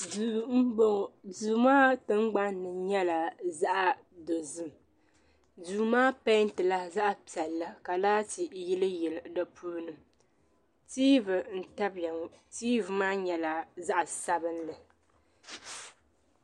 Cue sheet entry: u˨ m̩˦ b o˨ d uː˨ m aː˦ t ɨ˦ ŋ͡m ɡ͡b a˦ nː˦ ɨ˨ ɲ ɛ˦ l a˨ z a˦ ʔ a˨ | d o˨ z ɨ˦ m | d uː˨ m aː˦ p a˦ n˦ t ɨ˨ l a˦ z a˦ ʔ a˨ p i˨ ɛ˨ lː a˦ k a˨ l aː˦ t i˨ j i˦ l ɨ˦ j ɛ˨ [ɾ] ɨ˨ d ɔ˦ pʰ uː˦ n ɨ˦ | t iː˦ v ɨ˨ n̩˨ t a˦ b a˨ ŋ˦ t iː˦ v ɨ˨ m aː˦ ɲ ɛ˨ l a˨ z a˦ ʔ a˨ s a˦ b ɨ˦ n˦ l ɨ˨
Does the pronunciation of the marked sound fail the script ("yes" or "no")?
yes